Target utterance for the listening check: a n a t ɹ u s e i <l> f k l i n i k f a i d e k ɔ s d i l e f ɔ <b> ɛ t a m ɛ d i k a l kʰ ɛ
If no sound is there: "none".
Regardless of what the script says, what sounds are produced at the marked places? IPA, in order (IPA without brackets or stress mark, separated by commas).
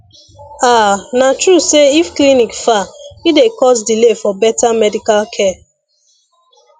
none, b